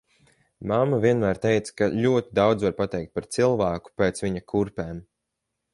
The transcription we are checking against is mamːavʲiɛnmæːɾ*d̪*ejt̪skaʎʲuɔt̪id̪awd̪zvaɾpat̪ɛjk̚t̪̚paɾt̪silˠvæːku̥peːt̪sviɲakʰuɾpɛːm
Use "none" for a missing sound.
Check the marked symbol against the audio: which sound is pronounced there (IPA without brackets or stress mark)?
t̪